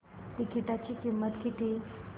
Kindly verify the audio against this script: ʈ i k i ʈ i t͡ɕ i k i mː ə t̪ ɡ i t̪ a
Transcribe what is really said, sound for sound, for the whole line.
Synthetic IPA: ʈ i k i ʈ a t͡ɕ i k i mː ə t̪ k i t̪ i